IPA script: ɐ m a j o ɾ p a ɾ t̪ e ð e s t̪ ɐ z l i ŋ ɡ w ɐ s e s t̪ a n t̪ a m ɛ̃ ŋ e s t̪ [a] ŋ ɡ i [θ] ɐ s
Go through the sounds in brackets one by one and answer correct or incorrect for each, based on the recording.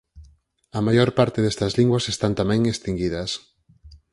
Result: incorrect: i, incorrect: ð

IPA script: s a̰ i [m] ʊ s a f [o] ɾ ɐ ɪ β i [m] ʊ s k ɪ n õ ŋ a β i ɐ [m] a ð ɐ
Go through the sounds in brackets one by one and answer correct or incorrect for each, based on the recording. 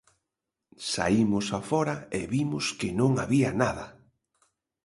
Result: correct, incorrect: ɔ, correct, incorrect: n

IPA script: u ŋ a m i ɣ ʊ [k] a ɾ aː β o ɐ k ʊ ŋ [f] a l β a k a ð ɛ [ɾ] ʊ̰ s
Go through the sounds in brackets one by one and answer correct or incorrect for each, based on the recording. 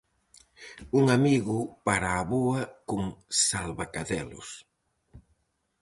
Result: incorrect: p, incorrect: s, incorrect: l

